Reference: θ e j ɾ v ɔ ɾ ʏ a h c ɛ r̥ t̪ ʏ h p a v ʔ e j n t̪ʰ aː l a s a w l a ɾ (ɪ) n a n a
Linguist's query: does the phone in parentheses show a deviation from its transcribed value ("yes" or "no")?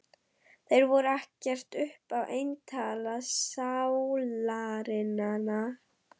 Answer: no